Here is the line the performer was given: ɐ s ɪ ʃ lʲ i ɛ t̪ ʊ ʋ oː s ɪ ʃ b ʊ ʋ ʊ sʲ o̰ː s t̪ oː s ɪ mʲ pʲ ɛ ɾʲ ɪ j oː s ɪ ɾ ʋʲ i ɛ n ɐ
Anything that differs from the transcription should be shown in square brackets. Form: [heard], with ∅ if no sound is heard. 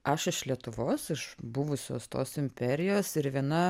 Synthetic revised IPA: ɐ [ʃ] ɪ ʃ lʲ i ɛ t̪ ʊ ʋ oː s ɪ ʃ b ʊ ʋ ʊ sʲ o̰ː s t̪ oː s ɪ mʲ pʲ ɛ ɾʲ ɪ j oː s ɪ ɾ ʋʲ i ɛ n ɐ